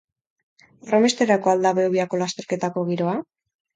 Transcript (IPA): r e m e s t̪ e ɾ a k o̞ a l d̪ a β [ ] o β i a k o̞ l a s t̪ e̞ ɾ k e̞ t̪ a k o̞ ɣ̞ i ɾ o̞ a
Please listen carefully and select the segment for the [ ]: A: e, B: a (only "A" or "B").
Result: A